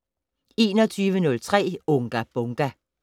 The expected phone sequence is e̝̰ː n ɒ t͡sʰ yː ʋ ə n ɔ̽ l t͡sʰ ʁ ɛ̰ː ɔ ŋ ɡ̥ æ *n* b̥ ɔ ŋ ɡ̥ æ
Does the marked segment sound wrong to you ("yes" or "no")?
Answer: yes